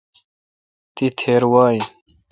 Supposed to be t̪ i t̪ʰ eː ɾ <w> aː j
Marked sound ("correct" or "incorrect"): correct